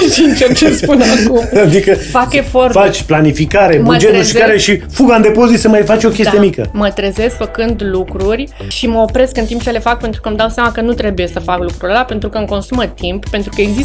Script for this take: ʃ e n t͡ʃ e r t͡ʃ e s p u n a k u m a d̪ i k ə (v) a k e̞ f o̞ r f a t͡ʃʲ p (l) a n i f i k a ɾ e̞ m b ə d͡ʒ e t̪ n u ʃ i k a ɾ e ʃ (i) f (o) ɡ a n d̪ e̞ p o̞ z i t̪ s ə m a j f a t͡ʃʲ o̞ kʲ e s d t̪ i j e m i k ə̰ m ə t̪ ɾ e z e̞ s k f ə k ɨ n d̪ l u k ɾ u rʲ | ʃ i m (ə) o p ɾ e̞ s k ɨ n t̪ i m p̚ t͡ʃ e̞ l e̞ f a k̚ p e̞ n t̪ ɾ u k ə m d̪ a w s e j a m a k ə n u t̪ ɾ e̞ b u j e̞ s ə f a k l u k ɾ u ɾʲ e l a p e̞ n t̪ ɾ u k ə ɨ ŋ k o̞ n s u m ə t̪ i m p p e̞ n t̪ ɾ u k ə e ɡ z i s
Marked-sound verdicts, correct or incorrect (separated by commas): incorrect, correct, correct, incorrect, correct